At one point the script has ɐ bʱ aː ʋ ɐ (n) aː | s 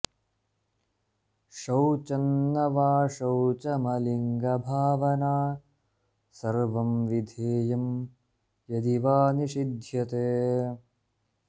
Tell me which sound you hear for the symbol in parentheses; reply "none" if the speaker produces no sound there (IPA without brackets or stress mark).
n